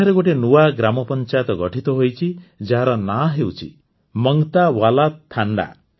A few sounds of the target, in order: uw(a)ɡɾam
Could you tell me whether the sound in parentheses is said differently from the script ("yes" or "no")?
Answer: no